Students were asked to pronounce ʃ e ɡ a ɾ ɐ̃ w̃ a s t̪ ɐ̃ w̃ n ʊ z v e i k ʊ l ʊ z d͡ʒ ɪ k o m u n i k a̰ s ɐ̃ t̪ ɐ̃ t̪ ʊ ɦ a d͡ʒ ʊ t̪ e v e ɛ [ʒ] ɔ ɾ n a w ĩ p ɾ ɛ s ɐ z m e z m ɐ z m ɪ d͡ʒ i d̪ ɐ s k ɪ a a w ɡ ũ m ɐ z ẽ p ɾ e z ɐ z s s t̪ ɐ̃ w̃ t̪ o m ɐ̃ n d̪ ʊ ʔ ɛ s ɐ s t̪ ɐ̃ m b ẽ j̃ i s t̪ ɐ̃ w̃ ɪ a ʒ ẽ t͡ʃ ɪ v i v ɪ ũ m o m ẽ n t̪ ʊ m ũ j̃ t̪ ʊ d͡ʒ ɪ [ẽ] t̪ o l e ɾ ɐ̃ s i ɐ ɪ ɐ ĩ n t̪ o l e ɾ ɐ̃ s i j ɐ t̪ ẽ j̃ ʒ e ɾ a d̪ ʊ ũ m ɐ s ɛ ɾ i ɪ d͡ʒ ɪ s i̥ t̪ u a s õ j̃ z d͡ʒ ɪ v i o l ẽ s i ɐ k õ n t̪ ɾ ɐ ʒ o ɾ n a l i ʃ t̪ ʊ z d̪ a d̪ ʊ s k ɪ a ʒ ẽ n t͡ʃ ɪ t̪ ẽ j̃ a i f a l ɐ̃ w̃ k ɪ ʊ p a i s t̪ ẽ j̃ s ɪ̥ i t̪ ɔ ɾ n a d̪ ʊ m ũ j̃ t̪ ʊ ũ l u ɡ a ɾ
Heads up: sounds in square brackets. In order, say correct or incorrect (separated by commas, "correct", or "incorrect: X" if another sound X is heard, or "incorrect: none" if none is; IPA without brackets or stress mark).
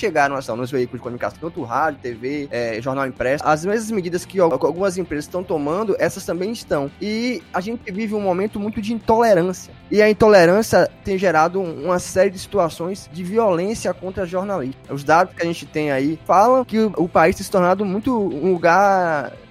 correct, incorrect: ĩ